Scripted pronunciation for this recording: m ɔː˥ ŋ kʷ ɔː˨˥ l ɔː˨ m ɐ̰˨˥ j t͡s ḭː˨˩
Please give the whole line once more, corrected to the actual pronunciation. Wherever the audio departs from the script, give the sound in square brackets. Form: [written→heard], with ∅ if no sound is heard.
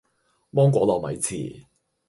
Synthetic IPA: m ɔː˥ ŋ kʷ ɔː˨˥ l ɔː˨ m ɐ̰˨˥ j [t͡s→t͡sʰ] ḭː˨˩

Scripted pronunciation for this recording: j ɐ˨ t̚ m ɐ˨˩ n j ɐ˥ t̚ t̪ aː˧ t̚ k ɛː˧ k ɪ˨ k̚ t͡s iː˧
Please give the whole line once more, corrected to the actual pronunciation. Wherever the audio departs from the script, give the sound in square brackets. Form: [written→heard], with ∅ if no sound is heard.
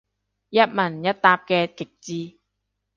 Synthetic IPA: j [ɐ˨→ɐ˥] t̚ m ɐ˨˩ n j ɐ˥ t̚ t̪ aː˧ [t̚→p̚] k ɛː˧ k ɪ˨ k̚ t͡s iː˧

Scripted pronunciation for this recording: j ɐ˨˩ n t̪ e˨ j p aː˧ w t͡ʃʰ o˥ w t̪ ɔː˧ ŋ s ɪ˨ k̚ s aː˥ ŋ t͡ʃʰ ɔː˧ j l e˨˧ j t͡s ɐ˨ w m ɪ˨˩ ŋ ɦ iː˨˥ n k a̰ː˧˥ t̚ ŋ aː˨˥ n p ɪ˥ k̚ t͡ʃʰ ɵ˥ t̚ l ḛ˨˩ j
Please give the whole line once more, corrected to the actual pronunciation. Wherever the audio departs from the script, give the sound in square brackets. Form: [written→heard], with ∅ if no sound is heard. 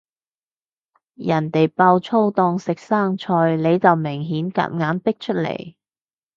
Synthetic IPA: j ɐ˨˩ n t̪ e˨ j p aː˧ w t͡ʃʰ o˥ w t̪ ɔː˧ ŋ s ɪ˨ k̚ s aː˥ ŋ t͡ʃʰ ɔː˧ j l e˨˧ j t͡s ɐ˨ w m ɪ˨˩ ŋ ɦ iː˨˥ n k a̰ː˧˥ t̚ ŋ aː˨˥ n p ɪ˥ k̚ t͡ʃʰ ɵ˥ t̚ l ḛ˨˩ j

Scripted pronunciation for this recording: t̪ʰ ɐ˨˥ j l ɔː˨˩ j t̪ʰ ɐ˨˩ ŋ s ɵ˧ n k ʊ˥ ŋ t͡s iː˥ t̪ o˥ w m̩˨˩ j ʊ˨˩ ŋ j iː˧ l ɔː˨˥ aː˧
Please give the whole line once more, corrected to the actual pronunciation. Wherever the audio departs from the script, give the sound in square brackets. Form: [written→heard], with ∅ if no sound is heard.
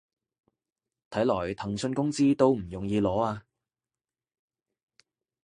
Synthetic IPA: t̪ʰ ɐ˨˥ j l ɔː˨˩ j t̪ʰ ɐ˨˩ ŋ s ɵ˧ n k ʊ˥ ŋ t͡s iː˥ t̪ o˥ w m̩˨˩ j ʊ˨˩ ŋ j iː˧ l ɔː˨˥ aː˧

